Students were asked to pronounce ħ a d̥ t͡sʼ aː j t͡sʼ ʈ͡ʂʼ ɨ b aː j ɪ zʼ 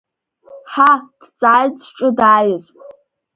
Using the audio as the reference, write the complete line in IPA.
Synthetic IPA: ħ a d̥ t͡sʼ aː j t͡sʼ ʈ͡ʂʼ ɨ d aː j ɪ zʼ